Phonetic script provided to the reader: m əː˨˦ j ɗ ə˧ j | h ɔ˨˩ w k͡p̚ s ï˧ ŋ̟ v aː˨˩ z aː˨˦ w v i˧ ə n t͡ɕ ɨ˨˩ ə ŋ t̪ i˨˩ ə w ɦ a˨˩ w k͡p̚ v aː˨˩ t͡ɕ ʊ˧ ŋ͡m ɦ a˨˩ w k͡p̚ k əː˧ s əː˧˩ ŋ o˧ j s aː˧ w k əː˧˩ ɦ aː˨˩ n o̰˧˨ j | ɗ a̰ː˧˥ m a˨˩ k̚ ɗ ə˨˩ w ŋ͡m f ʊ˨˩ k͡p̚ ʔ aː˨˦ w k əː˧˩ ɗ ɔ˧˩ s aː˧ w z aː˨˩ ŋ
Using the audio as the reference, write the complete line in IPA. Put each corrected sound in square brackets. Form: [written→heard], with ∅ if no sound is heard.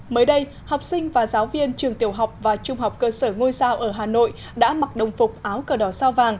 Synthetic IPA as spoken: m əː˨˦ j ɗ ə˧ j | h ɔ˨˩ w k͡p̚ s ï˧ ŋ̟ v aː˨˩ z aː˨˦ w v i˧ ə n t͡ɕ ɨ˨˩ ə ŋ t̪ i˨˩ ə w ɦ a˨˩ w k͡p̚ v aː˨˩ t͡ɕ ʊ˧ ŋ͡m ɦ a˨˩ w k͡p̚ k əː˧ s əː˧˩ ŋ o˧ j s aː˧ w [k→ʔ] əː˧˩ ɦ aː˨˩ n o̰˧˨ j | ɗ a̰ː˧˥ m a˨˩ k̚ ɗ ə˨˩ w ŋ͡m f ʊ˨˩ k͡p̚ ʔ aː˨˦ w k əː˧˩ ɗ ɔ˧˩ s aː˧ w [z→v] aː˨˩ ŋ